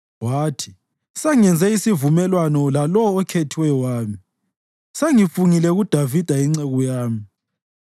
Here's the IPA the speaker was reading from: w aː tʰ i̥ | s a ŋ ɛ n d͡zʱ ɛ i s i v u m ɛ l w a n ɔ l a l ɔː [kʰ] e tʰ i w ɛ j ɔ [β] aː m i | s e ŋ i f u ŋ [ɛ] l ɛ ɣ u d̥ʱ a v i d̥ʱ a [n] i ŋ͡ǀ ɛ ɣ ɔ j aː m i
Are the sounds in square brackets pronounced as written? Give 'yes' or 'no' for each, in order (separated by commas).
yes, no, no, no